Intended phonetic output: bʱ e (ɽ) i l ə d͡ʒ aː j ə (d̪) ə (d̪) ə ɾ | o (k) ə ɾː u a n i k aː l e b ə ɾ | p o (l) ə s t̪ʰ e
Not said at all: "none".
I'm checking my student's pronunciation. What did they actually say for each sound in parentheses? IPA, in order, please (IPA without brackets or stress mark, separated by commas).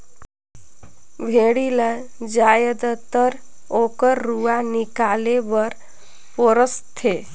ɽ, d̪, t̪, k, ɾ